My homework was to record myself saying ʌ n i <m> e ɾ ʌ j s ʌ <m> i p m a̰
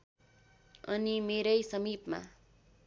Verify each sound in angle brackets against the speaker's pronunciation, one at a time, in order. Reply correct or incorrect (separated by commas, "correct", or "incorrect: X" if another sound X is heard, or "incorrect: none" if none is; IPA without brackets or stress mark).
correct, correct